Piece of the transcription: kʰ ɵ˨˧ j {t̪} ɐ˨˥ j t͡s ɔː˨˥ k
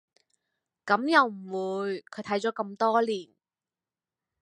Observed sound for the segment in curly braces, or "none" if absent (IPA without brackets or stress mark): t̪ʰ